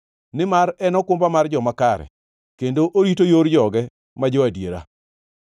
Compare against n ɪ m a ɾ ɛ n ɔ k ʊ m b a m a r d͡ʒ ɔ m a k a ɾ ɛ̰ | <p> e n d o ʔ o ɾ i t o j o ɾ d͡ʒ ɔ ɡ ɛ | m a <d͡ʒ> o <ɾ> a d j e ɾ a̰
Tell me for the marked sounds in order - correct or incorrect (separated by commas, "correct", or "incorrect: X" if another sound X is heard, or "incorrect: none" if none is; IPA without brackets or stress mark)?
incorrect: k, correct, incorrect: none